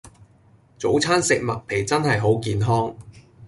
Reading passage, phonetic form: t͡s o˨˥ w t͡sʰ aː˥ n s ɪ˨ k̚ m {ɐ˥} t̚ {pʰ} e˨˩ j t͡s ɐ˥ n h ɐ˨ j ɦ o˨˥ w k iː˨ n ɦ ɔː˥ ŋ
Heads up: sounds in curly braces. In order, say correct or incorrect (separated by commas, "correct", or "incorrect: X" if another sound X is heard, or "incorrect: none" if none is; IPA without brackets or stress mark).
incorrect: ɐ˨, correct